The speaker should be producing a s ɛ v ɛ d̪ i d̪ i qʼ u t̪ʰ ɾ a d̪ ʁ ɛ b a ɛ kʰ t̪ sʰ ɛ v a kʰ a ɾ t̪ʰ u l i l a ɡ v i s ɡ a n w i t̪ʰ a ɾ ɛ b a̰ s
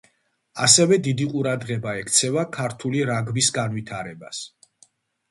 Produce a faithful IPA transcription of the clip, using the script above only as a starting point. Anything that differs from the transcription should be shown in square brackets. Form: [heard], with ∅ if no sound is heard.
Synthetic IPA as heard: a s ɛ v ɛ d̪ i d̪ i qʼ u [∅] ɾ a d̪ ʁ ɛ b a ɛ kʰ t̪ sʰ ɛ v a kʰ a ɾ t̪ʰ u l i [ɾ] a ɡ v i s ɡ a n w i t̪ʰ a ɾ ɛ b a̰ s